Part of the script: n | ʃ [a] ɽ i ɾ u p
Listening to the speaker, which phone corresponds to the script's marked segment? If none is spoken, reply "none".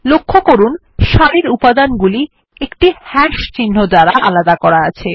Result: a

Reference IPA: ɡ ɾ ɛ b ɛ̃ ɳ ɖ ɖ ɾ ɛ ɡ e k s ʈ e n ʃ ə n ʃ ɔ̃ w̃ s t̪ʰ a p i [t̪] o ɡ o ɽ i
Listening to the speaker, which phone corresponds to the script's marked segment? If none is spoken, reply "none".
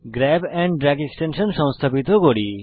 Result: t̪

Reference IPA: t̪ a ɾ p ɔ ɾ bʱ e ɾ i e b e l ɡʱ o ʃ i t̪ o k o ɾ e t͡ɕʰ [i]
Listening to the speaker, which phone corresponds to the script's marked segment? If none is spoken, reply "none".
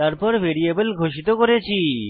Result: i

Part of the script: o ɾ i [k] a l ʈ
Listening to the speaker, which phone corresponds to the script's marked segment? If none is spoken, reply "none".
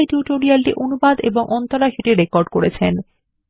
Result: none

